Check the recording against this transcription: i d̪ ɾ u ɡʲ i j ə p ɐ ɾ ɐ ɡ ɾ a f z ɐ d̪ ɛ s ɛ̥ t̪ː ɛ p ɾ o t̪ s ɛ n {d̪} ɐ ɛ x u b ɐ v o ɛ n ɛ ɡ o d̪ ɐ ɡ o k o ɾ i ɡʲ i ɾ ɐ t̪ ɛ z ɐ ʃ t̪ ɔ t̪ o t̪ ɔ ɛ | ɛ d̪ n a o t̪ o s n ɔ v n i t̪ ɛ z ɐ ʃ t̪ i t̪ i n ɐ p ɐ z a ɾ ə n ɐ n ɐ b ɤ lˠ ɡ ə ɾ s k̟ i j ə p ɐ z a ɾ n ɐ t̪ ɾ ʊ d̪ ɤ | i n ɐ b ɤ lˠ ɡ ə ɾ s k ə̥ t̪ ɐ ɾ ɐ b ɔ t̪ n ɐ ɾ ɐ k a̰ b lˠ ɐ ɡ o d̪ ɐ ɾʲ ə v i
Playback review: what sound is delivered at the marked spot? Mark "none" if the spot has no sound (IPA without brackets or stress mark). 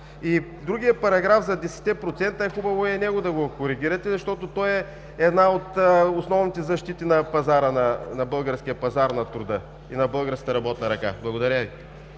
t̪